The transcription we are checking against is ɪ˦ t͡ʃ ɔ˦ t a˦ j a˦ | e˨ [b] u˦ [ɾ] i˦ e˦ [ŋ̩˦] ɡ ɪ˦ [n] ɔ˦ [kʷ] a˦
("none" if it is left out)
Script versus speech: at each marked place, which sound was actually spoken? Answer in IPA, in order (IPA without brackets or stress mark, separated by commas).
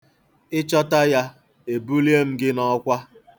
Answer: b, l, m̩˦, n, kʷ